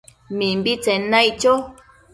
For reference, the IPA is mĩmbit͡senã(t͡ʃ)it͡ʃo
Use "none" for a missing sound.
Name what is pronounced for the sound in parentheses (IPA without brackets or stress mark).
none